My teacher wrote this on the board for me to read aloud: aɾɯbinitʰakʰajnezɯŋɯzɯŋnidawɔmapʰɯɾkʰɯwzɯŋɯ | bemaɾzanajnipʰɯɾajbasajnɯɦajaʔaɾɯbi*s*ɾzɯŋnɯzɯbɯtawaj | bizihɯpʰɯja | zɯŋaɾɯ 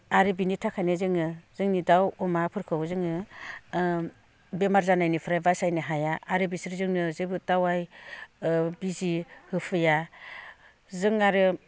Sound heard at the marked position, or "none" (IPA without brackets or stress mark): s